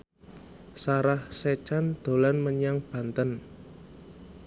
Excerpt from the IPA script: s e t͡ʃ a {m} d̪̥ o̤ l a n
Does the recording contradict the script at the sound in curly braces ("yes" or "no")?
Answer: yes